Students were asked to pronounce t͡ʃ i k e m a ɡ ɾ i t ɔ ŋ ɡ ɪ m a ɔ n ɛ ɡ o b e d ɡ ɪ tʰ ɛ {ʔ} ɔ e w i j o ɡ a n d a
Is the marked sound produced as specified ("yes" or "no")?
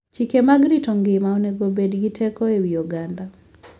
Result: no